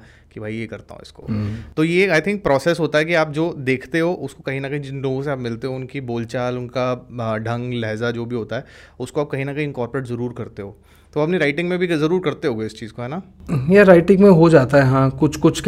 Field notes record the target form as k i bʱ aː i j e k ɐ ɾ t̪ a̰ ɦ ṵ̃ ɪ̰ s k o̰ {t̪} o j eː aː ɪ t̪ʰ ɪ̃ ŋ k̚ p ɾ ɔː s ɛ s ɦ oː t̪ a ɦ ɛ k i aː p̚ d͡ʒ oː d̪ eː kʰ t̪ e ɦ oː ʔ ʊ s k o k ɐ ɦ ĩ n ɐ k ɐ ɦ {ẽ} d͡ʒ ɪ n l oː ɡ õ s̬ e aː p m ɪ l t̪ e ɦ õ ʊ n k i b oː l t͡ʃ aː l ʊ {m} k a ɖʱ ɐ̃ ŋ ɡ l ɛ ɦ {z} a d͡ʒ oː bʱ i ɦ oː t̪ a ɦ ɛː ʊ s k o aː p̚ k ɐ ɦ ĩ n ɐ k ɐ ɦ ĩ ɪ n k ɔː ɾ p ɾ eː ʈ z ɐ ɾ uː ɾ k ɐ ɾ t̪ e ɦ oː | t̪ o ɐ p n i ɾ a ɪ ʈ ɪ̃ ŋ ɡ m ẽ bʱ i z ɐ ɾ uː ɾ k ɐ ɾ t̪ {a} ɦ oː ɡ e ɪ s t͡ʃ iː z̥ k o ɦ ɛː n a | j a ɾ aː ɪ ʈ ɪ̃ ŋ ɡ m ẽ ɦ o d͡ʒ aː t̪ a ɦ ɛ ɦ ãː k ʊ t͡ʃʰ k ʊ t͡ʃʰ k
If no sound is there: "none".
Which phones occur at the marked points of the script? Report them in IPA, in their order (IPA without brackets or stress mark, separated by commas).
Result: t̪, ĩ, n, z, e